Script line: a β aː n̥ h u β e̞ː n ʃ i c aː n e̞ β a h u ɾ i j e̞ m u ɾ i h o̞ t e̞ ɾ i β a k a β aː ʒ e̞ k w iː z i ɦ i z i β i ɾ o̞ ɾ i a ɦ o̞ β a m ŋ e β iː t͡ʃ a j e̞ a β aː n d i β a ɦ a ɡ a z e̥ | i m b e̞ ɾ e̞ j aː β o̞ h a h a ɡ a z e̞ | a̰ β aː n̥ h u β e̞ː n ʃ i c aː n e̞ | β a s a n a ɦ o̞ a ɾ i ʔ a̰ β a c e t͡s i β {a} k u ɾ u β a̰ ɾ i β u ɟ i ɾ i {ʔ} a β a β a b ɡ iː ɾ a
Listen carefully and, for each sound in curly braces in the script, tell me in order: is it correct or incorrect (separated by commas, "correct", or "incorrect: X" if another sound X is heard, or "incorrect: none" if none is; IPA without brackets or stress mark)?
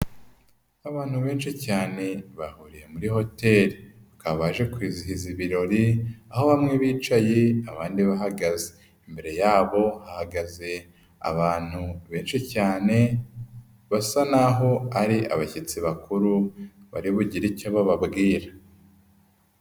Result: correct, incorrect: c